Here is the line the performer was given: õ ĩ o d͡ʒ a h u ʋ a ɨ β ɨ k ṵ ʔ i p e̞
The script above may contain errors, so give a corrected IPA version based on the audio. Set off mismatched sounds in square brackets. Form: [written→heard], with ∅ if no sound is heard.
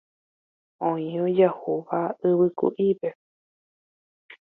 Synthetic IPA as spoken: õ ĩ o d͡ʒ a h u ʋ a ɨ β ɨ k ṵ ʔ i p e̞